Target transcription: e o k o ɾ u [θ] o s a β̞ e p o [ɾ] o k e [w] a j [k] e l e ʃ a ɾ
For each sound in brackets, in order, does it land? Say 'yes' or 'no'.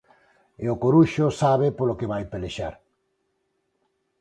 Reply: no, no, no, no

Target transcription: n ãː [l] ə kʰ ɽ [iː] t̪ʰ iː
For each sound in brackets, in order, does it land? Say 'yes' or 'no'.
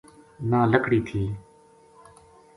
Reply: yes, yes

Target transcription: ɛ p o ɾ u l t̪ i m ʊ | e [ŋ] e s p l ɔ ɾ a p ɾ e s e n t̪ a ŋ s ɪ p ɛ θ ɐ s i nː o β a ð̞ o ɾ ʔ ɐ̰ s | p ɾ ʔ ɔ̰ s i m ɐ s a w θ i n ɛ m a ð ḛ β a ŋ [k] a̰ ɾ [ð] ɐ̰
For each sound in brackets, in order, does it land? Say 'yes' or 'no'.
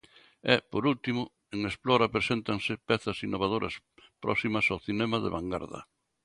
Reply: yes, no, yes

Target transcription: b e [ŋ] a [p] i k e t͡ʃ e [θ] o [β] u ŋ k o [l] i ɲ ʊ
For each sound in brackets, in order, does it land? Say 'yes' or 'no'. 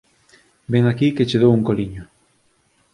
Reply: yes, no, no, no, yes

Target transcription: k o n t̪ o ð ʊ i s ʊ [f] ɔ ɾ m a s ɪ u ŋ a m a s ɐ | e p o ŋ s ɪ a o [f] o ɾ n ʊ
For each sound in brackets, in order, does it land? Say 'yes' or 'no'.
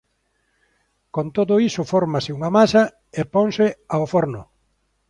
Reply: yes, yes

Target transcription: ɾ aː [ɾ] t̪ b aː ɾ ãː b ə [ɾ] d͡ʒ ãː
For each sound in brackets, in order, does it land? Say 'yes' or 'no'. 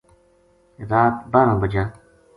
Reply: no, no

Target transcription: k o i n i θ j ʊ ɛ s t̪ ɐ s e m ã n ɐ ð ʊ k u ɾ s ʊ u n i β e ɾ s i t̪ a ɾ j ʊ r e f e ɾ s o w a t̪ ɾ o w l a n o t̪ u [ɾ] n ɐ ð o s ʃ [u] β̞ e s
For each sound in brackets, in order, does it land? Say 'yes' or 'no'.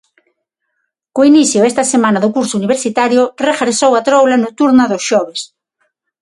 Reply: yes, no

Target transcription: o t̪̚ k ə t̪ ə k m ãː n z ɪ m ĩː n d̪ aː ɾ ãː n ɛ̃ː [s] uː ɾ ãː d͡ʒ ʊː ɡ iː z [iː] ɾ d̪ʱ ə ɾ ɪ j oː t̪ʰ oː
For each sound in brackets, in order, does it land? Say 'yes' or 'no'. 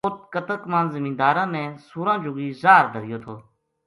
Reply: yes, no

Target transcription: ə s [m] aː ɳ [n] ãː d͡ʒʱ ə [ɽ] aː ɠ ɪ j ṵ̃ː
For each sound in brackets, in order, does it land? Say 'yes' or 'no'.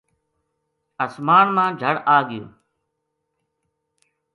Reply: yes, no, yes

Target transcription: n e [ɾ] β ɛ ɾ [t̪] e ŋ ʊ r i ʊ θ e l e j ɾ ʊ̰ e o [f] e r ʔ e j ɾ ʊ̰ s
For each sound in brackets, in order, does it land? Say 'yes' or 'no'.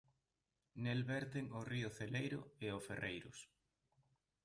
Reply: no, yes, yes

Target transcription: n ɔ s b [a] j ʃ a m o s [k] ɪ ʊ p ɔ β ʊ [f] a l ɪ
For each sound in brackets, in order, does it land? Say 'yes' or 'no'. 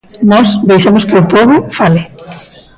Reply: no, yes, yes

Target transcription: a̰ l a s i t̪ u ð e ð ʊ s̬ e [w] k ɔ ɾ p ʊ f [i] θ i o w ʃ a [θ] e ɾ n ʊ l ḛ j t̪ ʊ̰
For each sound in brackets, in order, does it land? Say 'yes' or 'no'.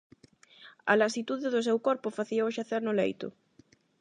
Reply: yes, no, yes

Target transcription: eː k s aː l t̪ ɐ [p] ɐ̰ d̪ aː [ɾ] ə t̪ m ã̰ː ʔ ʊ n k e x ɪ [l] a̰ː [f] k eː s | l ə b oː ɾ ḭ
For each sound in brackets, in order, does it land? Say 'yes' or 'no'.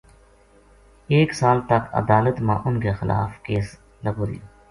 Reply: no, no, yes, yes

